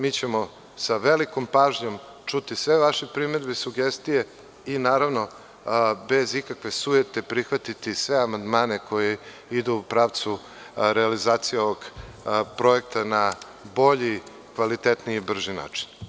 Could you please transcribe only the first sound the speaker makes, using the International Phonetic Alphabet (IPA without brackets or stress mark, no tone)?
m